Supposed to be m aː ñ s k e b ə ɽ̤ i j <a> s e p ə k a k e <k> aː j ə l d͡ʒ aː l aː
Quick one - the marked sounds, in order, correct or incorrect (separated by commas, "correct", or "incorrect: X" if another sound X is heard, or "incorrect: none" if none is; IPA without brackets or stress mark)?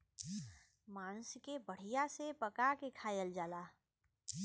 correct, incorrect: kʰ